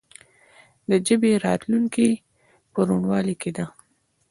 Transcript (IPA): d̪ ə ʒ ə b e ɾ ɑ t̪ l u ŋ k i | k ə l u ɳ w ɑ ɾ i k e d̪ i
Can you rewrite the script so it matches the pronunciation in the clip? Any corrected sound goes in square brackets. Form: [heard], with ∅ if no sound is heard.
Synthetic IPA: d̪ ə [d͡ʒ] ə b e ɾ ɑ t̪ l u ŋ k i | [p] ə [ɾ] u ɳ w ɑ [l] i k e d̪ [a]